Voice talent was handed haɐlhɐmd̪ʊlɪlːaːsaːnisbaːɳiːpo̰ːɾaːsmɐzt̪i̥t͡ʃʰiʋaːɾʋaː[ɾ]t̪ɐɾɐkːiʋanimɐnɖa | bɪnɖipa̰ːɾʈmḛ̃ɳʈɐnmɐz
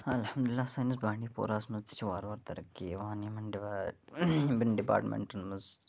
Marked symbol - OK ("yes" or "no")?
yes